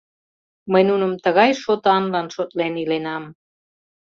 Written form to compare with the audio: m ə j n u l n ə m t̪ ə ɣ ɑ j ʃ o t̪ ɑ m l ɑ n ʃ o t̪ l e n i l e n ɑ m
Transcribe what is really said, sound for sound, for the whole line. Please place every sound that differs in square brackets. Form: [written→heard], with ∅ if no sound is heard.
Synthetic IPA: m ə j n u [l→∅] n ə m t̪ ə ɣ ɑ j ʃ o t̪ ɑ [m→n] l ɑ n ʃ o t̪ l e n i l e n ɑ m